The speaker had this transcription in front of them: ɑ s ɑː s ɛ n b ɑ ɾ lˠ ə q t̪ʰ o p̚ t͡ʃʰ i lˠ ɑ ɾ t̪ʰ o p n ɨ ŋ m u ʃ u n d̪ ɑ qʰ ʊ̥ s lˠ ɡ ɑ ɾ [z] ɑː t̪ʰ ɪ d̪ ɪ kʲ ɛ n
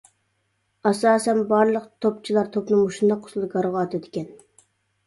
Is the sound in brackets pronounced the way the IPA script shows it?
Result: no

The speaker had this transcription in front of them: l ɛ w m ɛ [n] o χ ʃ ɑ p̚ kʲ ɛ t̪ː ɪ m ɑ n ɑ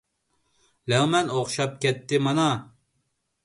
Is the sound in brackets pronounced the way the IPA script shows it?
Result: yes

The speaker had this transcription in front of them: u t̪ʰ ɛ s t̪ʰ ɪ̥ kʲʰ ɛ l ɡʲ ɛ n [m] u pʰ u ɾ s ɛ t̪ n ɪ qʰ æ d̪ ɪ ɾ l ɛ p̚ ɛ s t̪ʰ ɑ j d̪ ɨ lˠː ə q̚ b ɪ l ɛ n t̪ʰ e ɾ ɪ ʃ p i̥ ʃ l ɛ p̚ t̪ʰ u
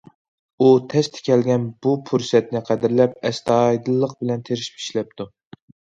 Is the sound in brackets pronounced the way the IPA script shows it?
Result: no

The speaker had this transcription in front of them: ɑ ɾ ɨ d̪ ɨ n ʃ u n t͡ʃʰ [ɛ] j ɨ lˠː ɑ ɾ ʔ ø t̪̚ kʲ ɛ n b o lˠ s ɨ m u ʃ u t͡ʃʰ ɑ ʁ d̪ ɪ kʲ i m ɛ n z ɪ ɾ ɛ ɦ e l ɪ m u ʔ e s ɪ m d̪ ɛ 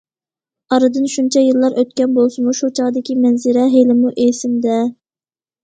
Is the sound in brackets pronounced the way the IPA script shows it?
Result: yes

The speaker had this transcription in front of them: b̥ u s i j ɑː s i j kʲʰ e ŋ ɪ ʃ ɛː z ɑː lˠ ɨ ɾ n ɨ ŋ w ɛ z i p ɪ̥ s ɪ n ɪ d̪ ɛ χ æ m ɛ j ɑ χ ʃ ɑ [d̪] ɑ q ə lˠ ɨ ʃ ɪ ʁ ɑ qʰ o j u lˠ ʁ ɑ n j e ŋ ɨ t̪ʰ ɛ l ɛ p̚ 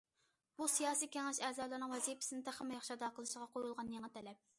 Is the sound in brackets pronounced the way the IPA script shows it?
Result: yes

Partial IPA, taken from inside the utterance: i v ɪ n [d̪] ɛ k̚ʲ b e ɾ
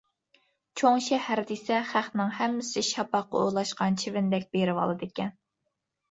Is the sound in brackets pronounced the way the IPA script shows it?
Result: yes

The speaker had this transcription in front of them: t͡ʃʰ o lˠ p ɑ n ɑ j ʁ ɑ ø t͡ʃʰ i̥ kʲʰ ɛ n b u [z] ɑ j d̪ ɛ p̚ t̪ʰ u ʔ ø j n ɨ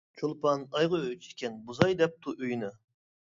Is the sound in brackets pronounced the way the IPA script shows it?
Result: yes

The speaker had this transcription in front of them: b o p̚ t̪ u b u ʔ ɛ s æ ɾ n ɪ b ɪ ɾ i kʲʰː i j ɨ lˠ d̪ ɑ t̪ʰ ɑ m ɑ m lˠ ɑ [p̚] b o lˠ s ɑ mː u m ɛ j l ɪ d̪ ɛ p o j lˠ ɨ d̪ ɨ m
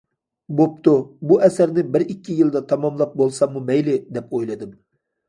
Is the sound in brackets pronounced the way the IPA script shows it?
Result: yes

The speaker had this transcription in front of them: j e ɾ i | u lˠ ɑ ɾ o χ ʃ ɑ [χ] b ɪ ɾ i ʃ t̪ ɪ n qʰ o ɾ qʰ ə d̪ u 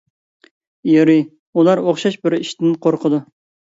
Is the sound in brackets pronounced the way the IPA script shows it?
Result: no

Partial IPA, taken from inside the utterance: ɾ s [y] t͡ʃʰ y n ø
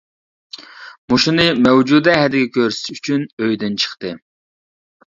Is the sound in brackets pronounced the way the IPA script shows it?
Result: yes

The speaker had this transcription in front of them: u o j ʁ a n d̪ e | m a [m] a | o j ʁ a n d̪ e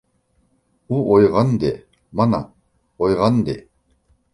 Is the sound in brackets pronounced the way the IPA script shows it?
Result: no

